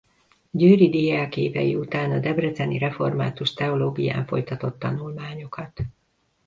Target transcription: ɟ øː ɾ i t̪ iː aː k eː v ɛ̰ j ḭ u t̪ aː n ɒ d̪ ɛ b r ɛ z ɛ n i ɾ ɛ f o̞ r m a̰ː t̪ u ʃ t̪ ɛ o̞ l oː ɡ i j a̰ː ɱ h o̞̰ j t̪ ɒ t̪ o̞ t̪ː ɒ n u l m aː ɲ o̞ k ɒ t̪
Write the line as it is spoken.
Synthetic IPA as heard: ɟ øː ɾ i d̪ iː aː k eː v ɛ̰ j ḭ u t̪ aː n ɒ d̪ ɛ b r ɛ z ɛ n i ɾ ɛ f o̞ r m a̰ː t̪ u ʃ t̪ ɛ o̞ l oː ɡ i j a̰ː ɱ f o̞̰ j t̪ ɒ t̪ o̞ t̪ː ɒ n u l m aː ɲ o̞ k ɒ t̪